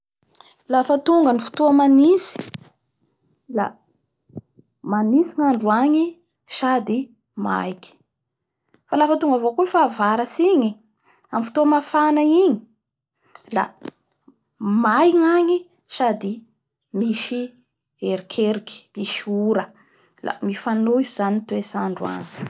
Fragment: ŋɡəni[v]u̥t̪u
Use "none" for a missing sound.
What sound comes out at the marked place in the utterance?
f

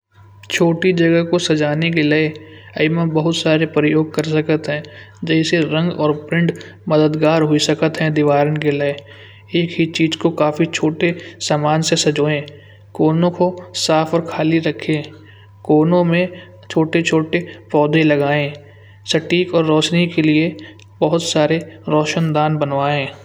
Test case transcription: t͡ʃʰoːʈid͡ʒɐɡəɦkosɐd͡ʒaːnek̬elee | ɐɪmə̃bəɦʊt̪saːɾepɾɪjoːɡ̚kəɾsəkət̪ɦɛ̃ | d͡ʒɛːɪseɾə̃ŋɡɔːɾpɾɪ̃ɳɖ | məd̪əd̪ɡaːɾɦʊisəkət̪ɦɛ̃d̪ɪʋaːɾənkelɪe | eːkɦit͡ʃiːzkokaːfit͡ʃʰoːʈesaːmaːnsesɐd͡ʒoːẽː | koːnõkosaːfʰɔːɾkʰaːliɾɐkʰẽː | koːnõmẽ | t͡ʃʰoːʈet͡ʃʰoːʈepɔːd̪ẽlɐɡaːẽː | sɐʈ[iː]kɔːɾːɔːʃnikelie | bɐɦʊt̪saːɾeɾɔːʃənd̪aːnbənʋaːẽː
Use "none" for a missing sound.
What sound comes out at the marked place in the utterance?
iː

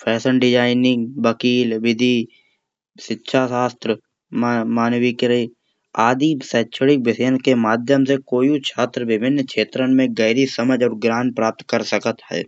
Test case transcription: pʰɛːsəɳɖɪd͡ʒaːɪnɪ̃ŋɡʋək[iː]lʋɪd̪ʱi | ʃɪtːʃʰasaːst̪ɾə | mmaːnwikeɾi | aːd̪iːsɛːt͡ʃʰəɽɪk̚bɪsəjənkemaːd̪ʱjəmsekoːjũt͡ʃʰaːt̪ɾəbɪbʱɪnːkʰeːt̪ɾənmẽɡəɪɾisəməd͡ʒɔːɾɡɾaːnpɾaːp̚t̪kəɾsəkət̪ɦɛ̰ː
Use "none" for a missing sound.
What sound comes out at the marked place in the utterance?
iː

